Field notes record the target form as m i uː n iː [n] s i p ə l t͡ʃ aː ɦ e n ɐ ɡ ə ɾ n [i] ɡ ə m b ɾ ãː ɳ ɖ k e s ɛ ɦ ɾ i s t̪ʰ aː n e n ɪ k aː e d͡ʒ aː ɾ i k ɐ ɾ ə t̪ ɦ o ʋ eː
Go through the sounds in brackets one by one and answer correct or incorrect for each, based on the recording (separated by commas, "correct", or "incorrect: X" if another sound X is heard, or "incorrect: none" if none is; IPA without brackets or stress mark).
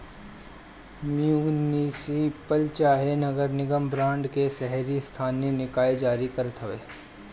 incorrect: none, incorrect: ɪ